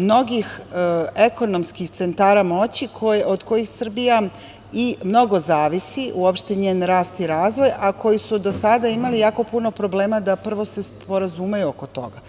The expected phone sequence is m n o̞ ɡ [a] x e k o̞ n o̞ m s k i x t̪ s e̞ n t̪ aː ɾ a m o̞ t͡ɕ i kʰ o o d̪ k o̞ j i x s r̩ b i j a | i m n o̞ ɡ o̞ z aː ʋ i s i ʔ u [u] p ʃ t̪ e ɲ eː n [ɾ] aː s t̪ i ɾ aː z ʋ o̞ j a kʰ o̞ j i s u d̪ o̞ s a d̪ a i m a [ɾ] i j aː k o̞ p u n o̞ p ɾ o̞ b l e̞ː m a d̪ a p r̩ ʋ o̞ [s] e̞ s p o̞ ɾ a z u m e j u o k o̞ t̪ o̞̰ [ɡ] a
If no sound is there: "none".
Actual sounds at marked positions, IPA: i, o, ɾ, l, s, ɡ

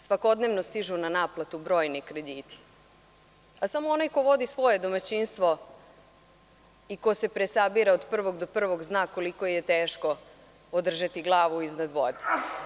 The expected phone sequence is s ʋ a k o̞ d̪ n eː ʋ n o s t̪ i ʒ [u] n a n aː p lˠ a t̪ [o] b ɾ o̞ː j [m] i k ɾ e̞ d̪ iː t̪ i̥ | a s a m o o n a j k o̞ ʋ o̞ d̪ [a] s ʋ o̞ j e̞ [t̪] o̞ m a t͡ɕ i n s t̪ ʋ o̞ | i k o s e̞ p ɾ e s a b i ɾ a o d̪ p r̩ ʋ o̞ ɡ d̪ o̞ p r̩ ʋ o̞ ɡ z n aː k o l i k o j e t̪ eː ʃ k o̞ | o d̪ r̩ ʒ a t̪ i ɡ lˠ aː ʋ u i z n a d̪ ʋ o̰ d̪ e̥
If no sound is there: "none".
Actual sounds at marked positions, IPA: u, u, n, i, d̪

